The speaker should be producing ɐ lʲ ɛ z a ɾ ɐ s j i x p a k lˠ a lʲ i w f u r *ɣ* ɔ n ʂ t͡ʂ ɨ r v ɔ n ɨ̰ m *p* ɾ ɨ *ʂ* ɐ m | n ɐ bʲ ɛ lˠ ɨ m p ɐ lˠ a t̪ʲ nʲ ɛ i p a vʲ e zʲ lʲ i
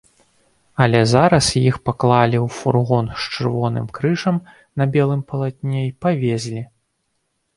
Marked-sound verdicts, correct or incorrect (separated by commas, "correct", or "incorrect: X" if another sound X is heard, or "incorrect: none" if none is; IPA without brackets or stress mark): correct, incorrect: k, correct